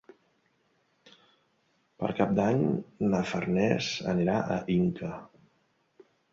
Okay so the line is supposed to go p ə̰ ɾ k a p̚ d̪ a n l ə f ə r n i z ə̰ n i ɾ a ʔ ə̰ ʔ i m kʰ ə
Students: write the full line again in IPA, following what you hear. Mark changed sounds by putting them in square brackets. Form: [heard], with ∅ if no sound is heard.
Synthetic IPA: p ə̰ ɾ k a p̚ d̪ a [ɲ] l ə f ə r n [ɛ] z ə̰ n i ɾ a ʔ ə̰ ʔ i [ŋ] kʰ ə